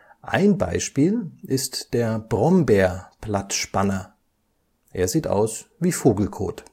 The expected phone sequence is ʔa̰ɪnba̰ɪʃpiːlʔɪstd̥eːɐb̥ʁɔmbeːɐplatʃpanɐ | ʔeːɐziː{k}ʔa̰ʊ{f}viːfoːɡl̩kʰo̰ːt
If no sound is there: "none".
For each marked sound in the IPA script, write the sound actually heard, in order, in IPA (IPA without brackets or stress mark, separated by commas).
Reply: t, s